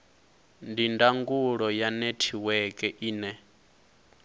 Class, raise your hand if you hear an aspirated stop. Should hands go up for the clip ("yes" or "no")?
yes